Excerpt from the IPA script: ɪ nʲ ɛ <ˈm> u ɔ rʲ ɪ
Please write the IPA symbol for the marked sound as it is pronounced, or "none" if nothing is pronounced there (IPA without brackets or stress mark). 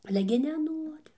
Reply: n